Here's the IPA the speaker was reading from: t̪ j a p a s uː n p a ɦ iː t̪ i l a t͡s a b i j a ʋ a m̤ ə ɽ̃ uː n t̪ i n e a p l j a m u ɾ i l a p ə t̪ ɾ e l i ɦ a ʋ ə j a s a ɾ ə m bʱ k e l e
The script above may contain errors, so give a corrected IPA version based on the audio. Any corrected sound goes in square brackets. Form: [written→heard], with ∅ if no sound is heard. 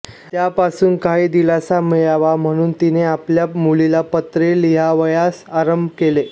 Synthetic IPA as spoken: t̪ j a p a s uː n [p→k] a ɦ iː [t̪→d̪] i l a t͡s a [b→m] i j a ʋ a m̤ ə ɽ̃ uː n t̪ i n e a p l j a m u [ɾ→l] i l a p ə t̪ ɾ e l i ɦ a ʋ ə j a s a ɾ ə m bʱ k e l e

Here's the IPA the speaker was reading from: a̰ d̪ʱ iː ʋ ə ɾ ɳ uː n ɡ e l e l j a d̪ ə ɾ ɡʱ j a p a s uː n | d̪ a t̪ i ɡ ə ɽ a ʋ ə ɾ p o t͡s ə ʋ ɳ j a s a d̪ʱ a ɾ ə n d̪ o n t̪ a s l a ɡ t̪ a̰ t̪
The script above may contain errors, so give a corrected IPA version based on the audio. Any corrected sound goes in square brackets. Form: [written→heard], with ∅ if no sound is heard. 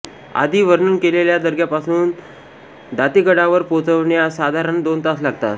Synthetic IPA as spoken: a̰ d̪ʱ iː ʋ ə ɾ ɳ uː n [ɡ→k] e l e l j a d̪ ə ɾ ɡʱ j a p a s uː n | d̪ a t̪ i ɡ ə ɽ a ʋ ə ɾ p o t͡s ə ʋ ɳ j a s a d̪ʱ a ɾ ə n d̪ o n t̪ a s l a ɡ t̪ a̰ t̪

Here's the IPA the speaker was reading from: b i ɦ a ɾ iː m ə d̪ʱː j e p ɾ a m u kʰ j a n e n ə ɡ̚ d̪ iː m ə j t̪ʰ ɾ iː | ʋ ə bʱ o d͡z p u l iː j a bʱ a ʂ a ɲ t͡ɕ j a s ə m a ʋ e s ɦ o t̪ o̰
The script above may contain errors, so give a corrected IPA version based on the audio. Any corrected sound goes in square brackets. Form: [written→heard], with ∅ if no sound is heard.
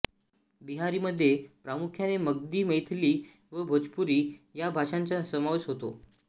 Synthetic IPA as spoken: b i ɦ a ɾ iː m ə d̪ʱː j e p ɾ a m u kʰ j a n e [n→m] ə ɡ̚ d̪ iː m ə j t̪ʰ [ɾ→l] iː | ʋ ə bʱ o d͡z p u [l→ɾ] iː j a bʱ a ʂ a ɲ t͡ɕ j a s ə m a ʋ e s ɦ o t̪ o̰

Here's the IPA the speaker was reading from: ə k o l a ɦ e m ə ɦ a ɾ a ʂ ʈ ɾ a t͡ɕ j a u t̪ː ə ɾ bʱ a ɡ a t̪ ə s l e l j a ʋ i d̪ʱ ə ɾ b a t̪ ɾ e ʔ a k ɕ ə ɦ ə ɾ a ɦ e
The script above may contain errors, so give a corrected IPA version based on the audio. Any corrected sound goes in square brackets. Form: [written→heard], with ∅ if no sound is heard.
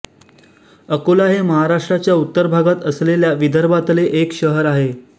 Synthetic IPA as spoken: ə k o l a ɦ e m ə ɦ a ɾ a ʂ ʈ ɾ a t͡ɕ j a u t̪ː ə ɾ bʱ a ɡ a t̪ ə s l e l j a ʋ i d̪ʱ ə ɾ b a t̪ [ɾ→l] e ʔ [a→e] k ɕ ə ɦ ə ɾ a ɦ e

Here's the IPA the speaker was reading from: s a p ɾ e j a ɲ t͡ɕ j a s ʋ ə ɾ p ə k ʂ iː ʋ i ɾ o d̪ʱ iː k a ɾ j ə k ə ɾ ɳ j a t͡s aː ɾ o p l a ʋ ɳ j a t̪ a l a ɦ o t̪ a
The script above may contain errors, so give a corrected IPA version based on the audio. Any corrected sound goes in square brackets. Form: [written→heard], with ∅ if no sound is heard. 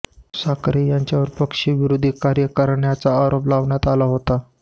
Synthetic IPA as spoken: s a [p→k] ɾ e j a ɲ t͡ɕ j a [s→∅] ʋ ə ɾ p ə k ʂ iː ʋ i ɾ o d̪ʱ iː k a ɾ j ə k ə ɾ ɳ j a t͡s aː ɾ o p l a ʋ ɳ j a t̪ a l a ɦ o t̪ a

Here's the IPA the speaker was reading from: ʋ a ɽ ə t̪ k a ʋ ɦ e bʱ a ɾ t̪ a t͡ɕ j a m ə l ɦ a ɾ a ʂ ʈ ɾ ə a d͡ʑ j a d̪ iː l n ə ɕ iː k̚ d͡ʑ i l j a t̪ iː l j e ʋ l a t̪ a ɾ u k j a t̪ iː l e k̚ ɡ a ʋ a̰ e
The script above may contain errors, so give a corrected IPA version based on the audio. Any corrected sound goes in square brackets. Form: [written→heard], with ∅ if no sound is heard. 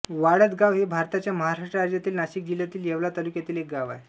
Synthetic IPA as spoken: ʋ a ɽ ə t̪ [k→ɡ] a ʋ ɦ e bʱ a ɾ t̪ a t͡ɕ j a m ə [l→∅] ɦ a ɾ a ʂ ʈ ɾ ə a d͡ʑ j a [d̪→t̪] iː l n [ə→a] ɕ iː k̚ d͡ʑ i l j a t̪ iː l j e ʋ l a t̪ a [ɾ→l] u k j a t̪ iː l e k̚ ɡ a ʋ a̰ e

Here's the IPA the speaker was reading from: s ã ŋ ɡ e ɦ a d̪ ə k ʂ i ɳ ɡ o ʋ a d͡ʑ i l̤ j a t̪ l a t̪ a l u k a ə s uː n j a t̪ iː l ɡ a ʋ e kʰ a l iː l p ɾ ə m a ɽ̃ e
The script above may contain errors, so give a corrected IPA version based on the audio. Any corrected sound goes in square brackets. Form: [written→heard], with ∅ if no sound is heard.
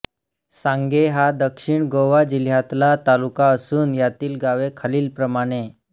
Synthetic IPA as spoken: s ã ŋ ɡ e ɦ a d̪ ə k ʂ i ɳ ɡ o ʋ a d͡ʑ i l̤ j a t̪ l a t̪ a l u k a ə s uː n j a t̪ iː l ɡ a ʋ e kʰ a l iː l p ɾ ə m a ɽ̃ e

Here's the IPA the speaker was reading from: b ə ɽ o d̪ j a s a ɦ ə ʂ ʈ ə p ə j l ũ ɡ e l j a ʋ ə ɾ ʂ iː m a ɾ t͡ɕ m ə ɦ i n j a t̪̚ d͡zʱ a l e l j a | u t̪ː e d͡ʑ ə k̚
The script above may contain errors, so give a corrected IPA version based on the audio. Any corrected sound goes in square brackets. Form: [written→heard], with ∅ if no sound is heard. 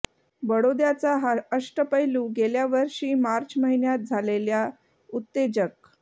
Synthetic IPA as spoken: b ə ɽ o d̪ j a [s→t͡s] a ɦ ə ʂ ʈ ə p ə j l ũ ɡ e l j a ʋ ə ɾ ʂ iː m a ɾ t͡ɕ m ə ɦ i n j a t̪̚ d͡zʱ a l e l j a | u t̪ː e d͡ʑ ə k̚

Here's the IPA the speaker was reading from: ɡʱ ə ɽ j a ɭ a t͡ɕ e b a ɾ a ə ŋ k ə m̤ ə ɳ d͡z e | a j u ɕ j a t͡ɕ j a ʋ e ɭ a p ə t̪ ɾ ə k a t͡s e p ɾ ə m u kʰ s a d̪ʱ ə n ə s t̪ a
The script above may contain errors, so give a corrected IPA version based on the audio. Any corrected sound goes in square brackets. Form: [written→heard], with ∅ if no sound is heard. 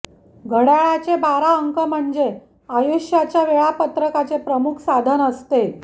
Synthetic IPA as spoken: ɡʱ ə ɽ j a ɭ a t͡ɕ e b a ɾ a ə ŋ k ə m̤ ə ɳ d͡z e | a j u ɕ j a t͡ɕ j a ʋ e ɭ a p ə t̪ ɾ ə k a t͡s e p ɾ ə m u kʰ s a d̪ʱ ə n ə s t̪ [a→e]

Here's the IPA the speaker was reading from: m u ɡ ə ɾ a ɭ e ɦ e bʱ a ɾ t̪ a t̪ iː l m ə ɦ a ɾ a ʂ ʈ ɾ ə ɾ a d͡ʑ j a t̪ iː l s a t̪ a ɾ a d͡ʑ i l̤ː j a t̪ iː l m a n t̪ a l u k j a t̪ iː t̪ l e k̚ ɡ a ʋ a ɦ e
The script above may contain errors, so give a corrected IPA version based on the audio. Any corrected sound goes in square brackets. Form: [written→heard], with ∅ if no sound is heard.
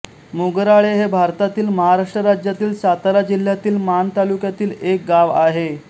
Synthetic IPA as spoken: m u ɡ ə ɾ a ɭ e ɦ e bʱ a ɾ t̪ a t̪ iː l m ə ɦ a ɾ a ʂ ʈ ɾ ə ɾ a d͡ʑ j a t̪ iː l s a t̪ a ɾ a d͡ʑ i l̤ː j a t̪ iː l m a n t̪ a l u k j a t̪ iː [t̪→∅] l e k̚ ɡ a ʋ a ɦ e

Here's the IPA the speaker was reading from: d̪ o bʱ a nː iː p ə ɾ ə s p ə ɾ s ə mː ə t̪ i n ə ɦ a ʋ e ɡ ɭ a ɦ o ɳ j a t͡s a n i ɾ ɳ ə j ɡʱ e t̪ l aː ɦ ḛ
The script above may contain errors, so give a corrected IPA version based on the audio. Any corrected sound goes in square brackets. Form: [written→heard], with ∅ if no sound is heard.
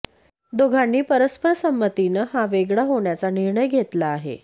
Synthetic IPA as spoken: d̪ o [bʱ→ɡʱ] a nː iː p ə ɾ ə s p ə ɾ s ə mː ə t̪ i n ə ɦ a ʋ e ɡ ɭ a ɦ o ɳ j a t͡s a n i ɾ ɳ ə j ɡʱ e t̪ l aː ɦ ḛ

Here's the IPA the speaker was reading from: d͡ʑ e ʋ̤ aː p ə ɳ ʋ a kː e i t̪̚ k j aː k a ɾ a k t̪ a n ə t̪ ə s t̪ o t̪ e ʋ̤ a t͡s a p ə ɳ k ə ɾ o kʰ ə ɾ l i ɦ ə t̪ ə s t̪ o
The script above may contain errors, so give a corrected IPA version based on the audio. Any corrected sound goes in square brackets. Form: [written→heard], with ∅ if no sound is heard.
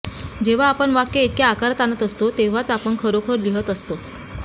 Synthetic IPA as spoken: d͡ʑ e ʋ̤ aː p ə ɳ ʋ a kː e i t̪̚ k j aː k a ɾ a [k→∅] t̪ a n ə t̪ ə s t̪ o t̪ e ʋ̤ a t͡s a p ə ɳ [k→kʰ] ə ɾ o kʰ ə ɾ l i ɦ ə t̪ ə s t̪ o

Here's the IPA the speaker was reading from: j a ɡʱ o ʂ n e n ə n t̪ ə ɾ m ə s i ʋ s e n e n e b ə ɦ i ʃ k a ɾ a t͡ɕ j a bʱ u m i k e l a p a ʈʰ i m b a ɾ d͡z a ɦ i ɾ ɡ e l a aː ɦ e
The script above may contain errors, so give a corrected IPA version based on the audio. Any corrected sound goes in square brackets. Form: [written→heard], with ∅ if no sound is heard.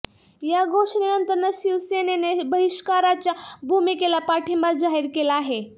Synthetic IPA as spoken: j a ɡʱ o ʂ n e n ə n t̪ ə ɾ [m→n] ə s i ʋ s e n e n e b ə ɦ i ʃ k a ɾ a t͡ɕ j a bʱ u m i k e l a p a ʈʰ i m b a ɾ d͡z a ɦ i ɾ [ɡ→k] e l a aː ɦ e

